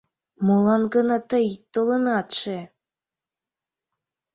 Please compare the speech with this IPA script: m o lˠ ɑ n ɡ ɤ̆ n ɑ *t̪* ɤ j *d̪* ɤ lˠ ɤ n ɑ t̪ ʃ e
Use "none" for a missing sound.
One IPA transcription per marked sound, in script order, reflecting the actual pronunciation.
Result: t̪, t̪

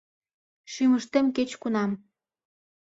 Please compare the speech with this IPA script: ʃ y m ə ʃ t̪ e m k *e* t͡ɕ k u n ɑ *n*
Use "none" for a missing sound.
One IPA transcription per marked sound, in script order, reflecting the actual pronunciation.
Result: e, m

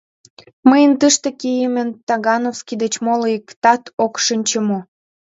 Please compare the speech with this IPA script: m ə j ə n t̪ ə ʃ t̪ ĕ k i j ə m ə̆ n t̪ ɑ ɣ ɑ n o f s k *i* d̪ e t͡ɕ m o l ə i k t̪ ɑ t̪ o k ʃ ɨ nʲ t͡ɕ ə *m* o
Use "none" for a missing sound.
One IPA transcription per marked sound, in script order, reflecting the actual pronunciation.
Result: i, m

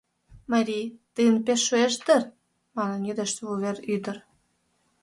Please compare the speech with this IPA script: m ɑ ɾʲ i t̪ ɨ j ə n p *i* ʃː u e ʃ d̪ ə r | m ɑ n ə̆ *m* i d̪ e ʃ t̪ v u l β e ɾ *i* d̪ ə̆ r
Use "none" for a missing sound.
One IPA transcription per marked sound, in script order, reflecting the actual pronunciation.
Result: e, n, y

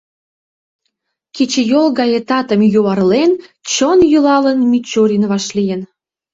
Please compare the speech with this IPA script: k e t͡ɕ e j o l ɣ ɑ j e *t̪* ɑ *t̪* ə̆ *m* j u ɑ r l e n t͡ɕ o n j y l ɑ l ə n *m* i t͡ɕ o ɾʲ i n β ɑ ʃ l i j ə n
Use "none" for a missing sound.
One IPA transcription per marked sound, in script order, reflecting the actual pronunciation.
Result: t̪, t̪, m, m

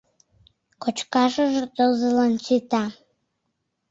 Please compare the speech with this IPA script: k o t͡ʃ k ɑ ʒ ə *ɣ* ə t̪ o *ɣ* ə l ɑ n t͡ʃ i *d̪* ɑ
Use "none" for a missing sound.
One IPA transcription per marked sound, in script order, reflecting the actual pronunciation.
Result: ʒ, z, t̪

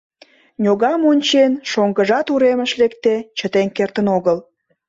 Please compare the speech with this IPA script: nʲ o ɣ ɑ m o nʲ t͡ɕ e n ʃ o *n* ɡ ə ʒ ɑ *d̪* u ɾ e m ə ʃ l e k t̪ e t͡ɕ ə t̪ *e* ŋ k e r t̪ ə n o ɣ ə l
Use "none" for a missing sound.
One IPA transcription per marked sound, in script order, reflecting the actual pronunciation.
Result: ŋ, t̪, e

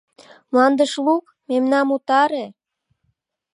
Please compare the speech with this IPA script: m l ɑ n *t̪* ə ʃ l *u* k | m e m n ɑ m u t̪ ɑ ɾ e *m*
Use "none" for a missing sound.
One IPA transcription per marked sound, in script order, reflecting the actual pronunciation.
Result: d̪, u, none

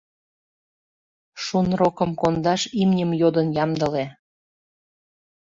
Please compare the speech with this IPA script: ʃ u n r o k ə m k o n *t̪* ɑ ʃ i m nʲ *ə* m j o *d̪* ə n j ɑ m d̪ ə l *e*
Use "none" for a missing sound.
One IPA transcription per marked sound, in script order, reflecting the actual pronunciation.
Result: d̪, ə, d̪, e

